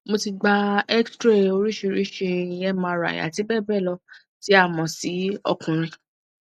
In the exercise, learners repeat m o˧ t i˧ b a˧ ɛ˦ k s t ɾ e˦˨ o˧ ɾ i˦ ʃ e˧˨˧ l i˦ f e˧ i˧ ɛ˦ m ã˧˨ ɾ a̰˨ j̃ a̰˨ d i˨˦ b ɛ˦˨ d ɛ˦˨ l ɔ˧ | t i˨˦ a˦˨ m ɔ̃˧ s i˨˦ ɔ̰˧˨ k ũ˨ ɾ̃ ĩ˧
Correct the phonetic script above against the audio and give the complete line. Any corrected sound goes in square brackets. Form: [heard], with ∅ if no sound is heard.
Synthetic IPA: m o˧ t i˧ [ɡ͡b] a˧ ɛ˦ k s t ɾ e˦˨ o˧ ɾ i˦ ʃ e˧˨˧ [ɾ] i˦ [ʃ] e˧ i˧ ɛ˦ m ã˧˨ ɾ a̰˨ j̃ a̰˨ [t] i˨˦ b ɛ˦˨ [b] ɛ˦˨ l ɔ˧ | t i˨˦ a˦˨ m ɔ̃˧ s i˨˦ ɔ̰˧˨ k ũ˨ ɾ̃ ĩ˧